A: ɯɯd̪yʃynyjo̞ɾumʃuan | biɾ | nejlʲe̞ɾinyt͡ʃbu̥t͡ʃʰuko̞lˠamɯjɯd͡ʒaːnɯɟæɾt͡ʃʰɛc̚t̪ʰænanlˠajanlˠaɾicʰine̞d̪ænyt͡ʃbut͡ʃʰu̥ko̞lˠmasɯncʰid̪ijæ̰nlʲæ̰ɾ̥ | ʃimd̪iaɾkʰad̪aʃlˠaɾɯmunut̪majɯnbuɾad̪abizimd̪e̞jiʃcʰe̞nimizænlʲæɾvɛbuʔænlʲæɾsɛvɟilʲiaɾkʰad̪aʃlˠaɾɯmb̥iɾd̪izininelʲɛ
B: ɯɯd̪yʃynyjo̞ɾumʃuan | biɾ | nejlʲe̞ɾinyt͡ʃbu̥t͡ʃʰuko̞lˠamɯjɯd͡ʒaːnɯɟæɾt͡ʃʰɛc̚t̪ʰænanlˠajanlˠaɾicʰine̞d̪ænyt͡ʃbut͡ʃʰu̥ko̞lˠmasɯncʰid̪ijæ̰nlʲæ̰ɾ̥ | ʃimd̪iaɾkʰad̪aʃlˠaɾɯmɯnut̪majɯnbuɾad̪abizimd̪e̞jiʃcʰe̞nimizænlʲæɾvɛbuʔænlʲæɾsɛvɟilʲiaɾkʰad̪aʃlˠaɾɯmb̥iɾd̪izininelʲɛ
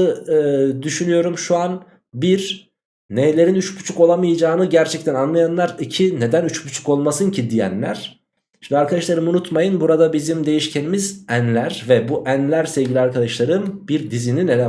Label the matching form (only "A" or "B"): A